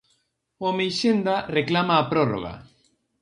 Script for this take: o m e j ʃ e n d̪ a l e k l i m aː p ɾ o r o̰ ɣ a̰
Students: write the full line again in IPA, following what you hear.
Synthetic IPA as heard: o m e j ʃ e n d̪ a r e k l a m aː p ɾ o r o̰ ɣ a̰